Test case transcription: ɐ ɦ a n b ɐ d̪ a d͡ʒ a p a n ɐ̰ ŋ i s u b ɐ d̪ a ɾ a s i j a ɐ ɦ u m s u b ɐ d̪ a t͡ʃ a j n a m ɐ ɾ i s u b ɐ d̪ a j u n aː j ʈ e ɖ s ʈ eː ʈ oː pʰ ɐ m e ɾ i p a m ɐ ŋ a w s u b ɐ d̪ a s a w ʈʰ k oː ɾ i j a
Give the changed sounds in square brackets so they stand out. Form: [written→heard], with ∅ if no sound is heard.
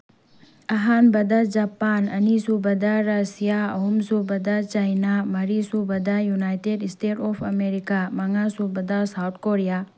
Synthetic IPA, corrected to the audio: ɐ ɦ a n b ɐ d̪ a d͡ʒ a p a n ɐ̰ [ŋ→n] i s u b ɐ d̪ a ɾ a s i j a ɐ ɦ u m s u b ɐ d̪ a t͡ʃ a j n a m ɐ ɾ i s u b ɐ d̪ a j u n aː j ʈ e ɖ s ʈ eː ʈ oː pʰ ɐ m e ɾ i [p→k] a m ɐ ŋ a [w→∅] s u b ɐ d̪ a s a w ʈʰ k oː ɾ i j a